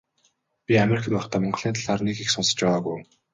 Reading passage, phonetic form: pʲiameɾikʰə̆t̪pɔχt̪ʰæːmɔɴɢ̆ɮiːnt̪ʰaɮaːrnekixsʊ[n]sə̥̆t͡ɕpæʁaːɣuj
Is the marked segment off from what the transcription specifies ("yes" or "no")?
no